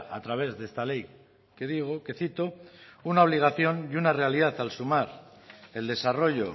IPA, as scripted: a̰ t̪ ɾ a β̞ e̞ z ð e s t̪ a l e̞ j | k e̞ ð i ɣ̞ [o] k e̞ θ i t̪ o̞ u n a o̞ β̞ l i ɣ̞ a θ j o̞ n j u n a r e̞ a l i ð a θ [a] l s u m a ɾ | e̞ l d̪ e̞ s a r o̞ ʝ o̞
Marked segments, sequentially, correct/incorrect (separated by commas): correct, correct